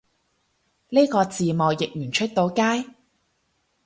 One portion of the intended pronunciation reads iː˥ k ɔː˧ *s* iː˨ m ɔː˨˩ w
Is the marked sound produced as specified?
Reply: no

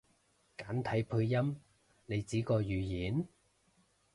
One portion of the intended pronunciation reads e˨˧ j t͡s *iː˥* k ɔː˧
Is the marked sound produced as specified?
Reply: no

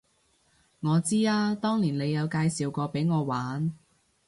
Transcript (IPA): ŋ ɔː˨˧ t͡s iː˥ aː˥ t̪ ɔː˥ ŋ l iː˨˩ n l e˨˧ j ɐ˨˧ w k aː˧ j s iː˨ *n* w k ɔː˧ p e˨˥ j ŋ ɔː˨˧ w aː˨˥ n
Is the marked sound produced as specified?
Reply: no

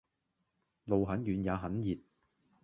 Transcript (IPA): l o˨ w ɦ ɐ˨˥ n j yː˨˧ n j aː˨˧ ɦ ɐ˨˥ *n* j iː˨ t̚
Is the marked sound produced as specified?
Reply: yes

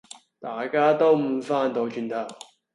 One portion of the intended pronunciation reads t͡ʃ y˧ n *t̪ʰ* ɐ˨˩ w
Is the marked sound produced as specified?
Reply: yes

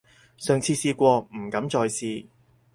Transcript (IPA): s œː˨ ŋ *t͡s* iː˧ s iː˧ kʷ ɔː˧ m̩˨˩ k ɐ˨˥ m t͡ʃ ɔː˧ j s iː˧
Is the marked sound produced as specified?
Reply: no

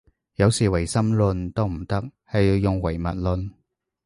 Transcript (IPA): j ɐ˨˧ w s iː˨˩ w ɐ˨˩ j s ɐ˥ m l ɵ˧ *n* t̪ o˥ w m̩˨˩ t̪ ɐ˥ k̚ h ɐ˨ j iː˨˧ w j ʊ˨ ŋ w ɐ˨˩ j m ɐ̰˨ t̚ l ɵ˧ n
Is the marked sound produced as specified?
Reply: yes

